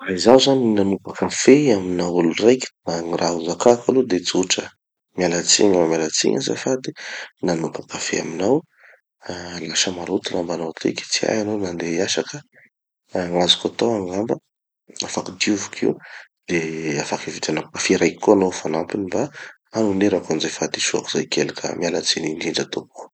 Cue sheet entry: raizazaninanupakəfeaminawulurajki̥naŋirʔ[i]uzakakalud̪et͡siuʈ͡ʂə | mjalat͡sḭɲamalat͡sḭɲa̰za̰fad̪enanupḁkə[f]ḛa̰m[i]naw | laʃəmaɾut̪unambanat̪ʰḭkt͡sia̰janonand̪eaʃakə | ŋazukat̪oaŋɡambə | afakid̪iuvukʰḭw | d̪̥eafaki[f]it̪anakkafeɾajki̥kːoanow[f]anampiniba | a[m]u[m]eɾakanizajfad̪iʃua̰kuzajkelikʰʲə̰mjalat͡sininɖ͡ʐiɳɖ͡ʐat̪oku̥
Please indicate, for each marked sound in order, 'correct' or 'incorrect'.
incorrect, correct, correct, incorrect, correct, incorrect, incorrect

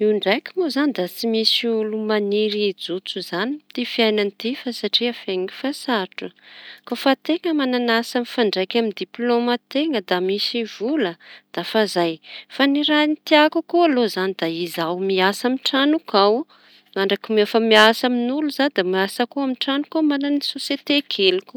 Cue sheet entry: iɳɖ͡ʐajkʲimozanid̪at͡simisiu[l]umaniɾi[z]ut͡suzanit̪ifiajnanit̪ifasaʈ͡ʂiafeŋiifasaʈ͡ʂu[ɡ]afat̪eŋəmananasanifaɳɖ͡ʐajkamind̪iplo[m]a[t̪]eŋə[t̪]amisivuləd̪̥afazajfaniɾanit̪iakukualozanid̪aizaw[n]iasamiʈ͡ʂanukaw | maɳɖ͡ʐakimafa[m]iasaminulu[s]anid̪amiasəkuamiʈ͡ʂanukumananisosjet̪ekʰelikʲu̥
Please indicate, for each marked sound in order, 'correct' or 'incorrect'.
correct, incorrect, incorrect, correct, correct, incorrect, incorrect, correct, incorrect

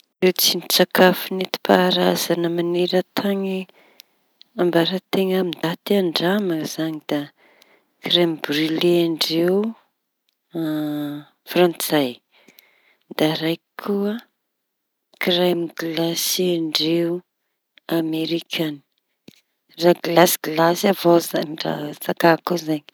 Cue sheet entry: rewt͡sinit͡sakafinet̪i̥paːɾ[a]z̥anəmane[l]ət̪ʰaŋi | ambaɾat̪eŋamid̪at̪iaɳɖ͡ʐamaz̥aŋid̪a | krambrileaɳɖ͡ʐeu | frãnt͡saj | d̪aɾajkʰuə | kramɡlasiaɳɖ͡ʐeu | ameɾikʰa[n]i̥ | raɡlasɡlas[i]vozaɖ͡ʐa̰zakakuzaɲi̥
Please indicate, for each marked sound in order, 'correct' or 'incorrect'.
correct, incorrect, correct, incorrect

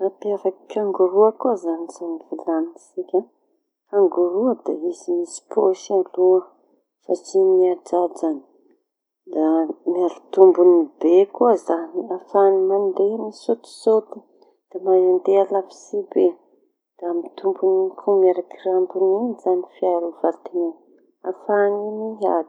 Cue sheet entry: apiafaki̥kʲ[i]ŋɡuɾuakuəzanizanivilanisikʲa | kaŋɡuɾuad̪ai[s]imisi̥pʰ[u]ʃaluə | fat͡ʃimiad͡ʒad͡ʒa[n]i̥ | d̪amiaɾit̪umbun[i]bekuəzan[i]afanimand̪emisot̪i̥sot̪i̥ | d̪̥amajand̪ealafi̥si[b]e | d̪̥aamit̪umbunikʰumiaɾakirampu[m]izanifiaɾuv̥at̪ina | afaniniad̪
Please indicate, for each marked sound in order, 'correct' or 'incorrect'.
incorrect, incorrect, incorrect, correct, correct, correct, correct, incorrect

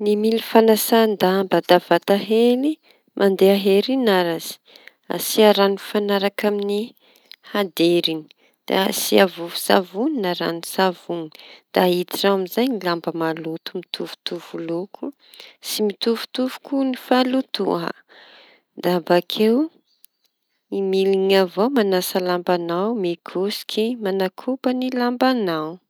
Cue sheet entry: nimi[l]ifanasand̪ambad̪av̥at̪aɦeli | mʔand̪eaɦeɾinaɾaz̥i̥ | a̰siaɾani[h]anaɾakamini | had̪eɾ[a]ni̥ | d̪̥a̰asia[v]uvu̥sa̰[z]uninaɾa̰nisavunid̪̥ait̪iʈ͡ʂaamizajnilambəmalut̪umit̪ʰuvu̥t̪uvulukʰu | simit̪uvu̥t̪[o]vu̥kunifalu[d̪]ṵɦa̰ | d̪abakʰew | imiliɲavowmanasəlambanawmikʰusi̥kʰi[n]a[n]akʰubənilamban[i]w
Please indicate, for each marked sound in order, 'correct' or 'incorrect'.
correct, incorrect, incorrect, correct, incorrect, incorrect, incorrect, incorrect, correct, incorrect

